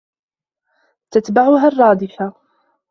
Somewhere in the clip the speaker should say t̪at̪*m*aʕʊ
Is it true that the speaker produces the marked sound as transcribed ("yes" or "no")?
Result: no